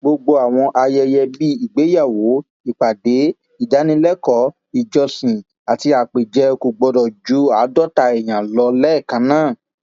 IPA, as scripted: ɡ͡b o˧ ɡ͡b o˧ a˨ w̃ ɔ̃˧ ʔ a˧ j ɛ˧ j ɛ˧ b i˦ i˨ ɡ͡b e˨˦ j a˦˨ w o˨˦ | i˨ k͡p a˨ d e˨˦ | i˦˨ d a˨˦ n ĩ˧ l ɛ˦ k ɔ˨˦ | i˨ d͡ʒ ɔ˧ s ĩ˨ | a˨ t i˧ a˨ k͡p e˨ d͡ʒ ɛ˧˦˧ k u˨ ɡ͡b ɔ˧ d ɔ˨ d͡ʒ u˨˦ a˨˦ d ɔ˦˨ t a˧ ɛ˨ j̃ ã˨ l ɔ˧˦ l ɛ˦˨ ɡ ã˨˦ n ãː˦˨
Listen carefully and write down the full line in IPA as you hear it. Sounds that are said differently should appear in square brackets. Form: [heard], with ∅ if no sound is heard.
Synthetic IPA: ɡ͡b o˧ ɡ͡b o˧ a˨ w̃ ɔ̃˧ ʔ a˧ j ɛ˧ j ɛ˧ b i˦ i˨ ɡ͡b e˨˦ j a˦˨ w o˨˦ | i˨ k͡p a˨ d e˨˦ | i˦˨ d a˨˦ n ĩ˧ l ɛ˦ k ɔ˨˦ | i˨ d͡ʒ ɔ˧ s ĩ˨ | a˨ t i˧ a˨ k͡p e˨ d͡ʒ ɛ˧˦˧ k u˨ ɡ͡b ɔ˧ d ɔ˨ d͡ʒ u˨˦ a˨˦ d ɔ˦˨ t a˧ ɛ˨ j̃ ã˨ l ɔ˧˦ l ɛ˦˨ [k] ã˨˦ n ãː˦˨